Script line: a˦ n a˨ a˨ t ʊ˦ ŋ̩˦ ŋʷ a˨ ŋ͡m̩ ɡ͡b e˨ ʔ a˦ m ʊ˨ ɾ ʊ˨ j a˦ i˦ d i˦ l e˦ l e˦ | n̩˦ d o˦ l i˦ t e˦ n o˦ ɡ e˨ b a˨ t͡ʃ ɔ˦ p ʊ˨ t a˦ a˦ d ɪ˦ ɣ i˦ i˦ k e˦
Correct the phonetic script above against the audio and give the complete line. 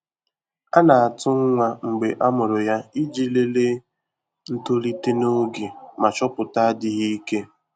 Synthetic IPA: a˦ n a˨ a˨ t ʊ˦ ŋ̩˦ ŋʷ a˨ ŋ͡m̩ ɡ͡b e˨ ʔ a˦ m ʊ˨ ɾ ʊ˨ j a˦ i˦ d͡ʒ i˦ l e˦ l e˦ | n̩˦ t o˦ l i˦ t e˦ n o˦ ɡ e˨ m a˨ t͡ʃ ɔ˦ p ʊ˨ t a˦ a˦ d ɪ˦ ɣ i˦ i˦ k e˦

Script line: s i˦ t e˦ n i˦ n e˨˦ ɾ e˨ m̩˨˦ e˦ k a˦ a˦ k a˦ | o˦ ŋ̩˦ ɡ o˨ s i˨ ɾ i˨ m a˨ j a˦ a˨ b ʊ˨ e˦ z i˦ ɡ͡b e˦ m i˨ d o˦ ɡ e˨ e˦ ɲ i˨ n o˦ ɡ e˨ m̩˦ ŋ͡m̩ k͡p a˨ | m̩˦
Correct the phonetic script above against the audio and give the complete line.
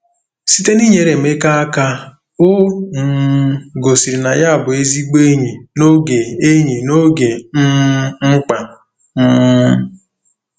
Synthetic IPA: s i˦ t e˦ n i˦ ɲ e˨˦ ɾ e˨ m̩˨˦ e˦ k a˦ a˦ k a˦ | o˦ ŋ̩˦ ɡ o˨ s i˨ ɾ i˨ n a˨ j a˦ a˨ b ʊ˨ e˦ z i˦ ɡ͡b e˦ ɲ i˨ n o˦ ɡ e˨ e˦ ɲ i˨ n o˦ ɡ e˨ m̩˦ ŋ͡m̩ k͡p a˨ | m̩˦

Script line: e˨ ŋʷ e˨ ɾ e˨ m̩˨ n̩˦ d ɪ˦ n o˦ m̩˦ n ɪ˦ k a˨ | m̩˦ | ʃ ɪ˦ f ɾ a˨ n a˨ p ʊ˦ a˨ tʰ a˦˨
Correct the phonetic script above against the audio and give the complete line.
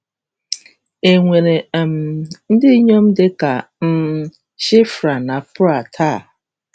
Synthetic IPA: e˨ ŋʷ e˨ ɾ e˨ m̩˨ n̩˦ d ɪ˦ ɲ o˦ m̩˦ d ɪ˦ k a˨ | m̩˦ | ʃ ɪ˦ f ɾ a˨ n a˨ p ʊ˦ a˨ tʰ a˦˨

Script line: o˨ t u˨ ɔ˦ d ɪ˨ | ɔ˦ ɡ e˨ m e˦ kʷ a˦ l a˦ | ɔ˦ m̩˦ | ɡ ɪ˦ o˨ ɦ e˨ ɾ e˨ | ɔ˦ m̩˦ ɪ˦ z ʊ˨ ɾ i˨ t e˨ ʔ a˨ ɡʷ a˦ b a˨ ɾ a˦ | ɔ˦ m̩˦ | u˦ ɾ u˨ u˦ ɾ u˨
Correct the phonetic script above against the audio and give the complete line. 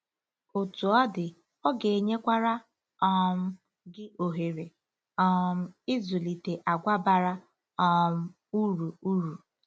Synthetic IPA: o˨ t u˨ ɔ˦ d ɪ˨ | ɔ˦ ɡ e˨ ɲ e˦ kʷ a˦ ɾ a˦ | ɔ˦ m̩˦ | ɡ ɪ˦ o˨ ɦ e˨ ɾ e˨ | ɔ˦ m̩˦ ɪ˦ z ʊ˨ l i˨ t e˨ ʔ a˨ ɡʷ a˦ b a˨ ɾ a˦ | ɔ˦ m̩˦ | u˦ ɾ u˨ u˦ ɾ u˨

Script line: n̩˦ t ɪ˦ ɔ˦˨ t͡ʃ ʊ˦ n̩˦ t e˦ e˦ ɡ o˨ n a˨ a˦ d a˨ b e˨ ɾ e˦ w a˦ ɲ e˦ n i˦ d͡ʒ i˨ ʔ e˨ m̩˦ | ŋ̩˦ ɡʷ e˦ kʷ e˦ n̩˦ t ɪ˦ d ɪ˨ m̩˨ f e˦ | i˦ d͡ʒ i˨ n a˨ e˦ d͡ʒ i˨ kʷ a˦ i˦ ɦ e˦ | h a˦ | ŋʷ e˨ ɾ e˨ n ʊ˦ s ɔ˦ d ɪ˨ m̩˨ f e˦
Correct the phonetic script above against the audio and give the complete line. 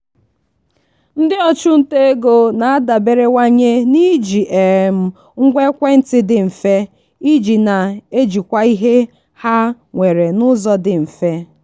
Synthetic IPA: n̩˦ d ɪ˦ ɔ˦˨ t͡ʃ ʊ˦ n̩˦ t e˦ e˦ ɡ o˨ n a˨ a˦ d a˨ b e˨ ɾ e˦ w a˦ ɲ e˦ n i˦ d͡ʒ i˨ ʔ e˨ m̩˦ | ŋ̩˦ ɡʷ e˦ kʷ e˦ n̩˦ t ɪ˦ d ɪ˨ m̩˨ f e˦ | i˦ d͡ʒ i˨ n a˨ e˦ d͡ʒ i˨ kʷ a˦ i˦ ɦ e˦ | h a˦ | ŋʷ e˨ ɾ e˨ n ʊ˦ z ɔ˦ d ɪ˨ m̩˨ f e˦

